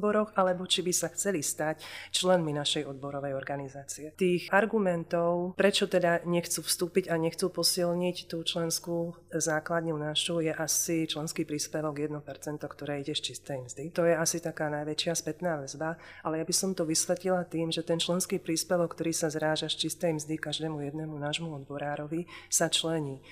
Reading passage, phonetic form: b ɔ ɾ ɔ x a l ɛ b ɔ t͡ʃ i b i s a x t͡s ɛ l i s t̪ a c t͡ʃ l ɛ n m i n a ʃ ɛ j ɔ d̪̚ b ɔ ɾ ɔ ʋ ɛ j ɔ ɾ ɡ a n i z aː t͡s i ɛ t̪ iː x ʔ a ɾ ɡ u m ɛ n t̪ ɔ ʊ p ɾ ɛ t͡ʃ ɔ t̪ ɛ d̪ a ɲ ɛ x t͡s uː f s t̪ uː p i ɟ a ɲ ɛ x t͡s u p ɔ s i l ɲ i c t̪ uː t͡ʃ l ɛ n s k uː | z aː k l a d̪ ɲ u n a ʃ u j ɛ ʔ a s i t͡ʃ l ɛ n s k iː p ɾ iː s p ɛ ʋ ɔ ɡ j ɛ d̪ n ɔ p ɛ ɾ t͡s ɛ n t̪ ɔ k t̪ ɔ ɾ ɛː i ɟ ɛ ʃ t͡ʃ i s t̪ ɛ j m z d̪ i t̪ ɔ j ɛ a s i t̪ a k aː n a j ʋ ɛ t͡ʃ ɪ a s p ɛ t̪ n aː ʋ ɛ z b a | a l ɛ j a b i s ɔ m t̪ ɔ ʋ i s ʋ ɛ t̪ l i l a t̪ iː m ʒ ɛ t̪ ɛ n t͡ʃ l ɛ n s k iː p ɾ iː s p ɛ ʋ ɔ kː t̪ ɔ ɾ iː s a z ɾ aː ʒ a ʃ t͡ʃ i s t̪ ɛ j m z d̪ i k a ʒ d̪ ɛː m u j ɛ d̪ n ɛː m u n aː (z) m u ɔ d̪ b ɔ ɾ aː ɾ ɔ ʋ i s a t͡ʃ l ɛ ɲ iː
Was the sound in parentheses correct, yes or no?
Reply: no